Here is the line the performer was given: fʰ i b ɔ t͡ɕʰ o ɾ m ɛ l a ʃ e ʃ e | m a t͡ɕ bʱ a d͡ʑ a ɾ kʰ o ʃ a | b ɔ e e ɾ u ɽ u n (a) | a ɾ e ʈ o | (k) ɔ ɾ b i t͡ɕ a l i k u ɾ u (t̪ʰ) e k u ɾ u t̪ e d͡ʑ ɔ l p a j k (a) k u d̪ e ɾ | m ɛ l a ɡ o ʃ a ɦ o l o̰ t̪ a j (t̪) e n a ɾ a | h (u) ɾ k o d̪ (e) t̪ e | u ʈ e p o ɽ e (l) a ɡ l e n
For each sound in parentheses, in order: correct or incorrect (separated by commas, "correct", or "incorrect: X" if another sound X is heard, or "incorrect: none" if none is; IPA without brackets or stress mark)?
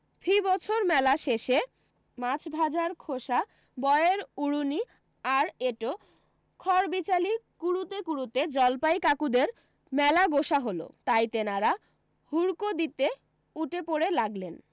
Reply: incorrect: i, incorrect: kʰ, incorrect: t̪, correct, correct, correct, incorrect: i, correct